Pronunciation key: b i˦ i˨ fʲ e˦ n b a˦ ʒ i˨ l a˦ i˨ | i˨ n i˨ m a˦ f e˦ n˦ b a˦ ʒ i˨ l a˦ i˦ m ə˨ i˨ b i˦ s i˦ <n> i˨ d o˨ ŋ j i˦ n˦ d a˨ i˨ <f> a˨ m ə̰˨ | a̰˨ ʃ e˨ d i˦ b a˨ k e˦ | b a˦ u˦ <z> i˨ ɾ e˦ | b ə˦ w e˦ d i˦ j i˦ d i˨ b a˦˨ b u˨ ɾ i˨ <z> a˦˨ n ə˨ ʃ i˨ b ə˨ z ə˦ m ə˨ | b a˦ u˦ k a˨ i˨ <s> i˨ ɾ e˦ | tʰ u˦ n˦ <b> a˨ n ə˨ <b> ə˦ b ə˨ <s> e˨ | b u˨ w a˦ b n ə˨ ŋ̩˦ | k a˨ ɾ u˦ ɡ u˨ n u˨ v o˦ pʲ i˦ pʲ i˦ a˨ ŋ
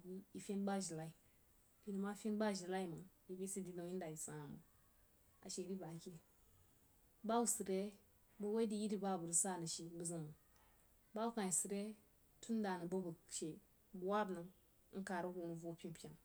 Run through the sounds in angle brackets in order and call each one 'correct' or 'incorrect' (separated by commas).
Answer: incorrect, incorrect, incorrect, incorrect, correct, incorrect, correct, incorrect